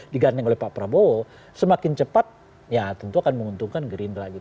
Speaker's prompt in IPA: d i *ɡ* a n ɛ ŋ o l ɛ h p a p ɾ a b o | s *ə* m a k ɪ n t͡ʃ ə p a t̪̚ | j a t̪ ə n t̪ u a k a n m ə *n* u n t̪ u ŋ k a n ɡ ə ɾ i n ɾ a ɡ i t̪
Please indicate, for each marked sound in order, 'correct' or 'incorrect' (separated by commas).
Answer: correct, correct, incorrect